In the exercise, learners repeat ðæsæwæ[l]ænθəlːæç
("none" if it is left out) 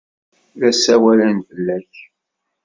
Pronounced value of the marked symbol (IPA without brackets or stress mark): l